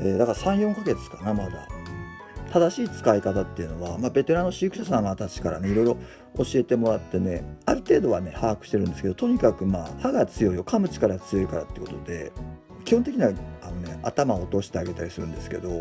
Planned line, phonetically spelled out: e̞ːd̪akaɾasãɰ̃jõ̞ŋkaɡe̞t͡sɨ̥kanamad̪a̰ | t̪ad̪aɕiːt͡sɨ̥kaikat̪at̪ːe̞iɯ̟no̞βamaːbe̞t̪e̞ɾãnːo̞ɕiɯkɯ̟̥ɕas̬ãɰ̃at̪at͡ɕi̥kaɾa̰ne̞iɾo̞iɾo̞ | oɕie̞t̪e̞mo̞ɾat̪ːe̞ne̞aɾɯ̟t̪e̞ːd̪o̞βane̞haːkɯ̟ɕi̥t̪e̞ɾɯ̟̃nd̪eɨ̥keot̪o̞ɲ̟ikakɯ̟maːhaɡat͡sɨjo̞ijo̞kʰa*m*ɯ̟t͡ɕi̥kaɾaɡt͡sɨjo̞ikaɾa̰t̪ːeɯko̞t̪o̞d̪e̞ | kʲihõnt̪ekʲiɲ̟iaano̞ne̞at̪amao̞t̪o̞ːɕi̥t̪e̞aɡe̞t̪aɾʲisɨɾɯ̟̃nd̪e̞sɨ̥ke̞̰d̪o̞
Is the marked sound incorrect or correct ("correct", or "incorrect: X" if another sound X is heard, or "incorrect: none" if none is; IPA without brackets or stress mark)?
correct